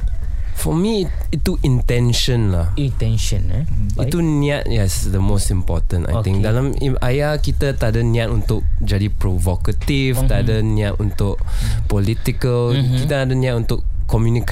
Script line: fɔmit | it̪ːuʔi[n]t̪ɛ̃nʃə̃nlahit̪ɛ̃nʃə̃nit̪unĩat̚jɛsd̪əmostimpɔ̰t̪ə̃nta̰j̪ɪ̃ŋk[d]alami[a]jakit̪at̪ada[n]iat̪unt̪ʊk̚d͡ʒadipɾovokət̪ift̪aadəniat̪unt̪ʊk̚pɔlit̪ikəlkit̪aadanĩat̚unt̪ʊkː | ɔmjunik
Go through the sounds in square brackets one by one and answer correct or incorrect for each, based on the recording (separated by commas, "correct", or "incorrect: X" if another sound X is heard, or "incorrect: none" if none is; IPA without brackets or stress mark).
correct, correct, correct, correct